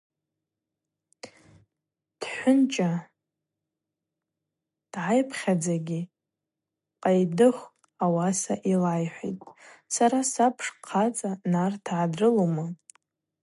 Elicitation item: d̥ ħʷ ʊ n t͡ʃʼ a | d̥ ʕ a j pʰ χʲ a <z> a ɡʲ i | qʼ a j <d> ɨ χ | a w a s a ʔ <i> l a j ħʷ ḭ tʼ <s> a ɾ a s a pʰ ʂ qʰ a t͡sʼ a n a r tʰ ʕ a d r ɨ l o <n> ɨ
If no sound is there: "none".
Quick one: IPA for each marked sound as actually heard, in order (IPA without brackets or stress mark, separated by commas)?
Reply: d͡z, d, i, s, m